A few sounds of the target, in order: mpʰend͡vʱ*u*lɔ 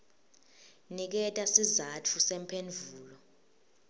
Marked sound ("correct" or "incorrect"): incorrect